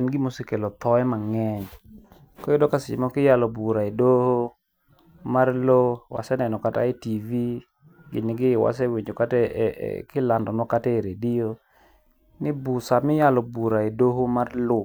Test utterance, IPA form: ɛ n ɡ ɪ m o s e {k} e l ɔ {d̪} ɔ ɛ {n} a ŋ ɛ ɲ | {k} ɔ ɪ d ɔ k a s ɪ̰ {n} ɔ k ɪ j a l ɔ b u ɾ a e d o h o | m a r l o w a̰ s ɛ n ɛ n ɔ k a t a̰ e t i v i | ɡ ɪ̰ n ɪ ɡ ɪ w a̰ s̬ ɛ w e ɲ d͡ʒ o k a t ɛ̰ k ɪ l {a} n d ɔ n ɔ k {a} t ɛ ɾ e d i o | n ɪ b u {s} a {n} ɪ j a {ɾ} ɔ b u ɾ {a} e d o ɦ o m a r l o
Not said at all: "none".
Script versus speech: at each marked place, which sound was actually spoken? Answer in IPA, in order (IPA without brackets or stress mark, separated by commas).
k, t̪, m, k, m, a, a, s, m, l, a